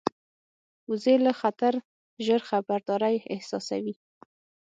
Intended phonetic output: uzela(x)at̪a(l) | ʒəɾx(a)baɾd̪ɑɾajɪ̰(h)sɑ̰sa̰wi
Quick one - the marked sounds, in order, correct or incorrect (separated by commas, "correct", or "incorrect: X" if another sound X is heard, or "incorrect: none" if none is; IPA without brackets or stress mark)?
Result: correct, incorrect: ɾ, correct, correct